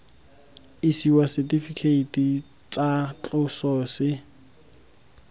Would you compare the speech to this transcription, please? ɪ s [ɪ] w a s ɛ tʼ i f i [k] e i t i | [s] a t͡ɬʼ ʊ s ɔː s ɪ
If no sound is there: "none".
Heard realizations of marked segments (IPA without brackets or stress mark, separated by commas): i, kʰ, t͡s